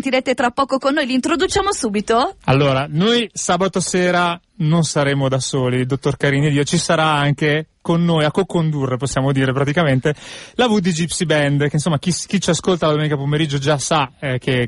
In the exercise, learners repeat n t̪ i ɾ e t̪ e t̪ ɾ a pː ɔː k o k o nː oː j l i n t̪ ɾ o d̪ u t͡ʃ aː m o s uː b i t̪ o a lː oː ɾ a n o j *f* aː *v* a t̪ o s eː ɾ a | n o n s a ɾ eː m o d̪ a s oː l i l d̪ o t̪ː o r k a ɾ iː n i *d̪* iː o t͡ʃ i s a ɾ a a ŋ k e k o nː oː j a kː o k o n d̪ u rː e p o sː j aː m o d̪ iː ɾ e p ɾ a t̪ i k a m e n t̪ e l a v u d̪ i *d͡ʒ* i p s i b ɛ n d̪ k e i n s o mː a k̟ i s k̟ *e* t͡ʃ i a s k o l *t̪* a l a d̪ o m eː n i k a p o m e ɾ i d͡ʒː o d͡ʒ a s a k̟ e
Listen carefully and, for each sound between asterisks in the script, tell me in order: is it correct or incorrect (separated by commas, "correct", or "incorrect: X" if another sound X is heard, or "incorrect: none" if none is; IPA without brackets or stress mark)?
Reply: incorrect: s, incorrect: b, correct, correct, incorrect: i, correct